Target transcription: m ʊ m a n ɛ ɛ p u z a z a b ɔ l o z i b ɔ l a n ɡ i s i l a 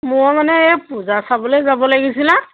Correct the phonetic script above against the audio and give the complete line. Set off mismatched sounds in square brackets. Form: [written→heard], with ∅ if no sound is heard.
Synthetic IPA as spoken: m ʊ m a n ɛ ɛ p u z a [z→s] a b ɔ l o z [i→a] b ɔ l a [n→∅] ɡ i s i l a

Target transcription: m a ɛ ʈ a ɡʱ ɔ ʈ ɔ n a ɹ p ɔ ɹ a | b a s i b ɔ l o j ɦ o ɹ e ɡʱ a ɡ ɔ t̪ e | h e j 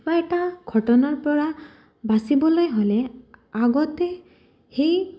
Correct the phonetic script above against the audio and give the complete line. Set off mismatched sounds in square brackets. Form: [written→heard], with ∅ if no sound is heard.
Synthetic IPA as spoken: [m→b] a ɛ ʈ a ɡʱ ɔ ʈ ɔ n a ɹ p ɔ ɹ a | b a s i b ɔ l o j ɦ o [ɹ→l] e [ɡʱ→∅] a ɡ ɔ t̪ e | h e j

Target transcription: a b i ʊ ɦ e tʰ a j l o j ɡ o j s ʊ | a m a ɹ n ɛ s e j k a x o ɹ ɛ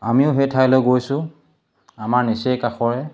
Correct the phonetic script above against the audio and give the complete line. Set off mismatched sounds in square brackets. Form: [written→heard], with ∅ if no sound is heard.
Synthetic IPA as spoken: a [b→m] i ʊ ɦ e tʰ a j l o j ɡ o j s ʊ | a m a ɹ n [ɛ→i] s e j k a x [o→ɔ] ɹ ɛ

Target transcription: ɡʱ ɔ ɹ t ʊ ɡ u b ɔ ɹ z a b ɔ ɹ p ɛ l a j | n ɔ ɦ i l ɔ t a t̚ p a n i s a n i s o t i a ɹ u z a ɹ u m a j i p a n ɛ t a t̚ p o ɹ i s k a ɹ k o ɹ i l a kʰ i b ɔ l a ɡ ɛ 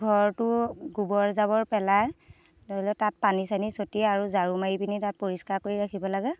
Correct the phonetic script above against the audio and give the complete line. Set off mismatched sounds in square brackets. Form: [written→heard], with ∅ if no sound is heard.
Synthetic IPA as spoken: ɡʱ ɔ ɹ t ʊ ɡ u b ɔ ɹ z a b ɔ ɹ p ɛ l a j | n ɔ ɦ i l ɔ t a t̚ p a n i s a n i s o t i a ɹ u z a ɹ u m a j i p [a→i] n [ɛ→i] t a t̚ p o ɹ i s k a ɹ k o ɹ i [l→ɹ] a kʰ i b ɔ l a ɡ ɛ

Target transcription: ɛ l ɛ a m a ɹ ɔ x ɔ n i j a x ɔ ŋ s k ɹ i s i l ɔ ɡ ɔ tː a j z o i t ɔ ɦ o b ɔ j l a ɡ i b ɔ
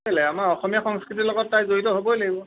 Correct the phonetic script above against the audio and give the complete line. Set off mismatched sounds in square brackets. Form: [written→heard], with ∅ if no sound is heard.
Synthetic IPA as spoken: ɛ l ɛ a m a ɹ ɔ x ɔ [n→m] i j a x ɔ ŋ s k ɹ i [s→t] i l ɔ ɡ ɔ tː a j z o i t ɔ ɦ o b ɔ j l a ɡ i b ɔ

